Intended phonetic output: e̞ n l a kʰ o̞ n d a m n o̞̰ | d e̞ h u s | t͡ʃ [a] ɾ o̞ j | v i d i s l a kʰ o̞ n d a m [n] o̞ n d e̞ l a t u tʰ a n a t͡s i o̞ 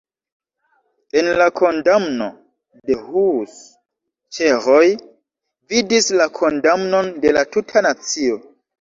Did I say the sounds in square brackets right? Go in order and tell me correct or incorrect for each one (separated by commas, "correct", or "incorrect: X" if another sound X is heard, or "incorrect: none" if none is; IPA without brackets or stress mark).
incorrect: e, correct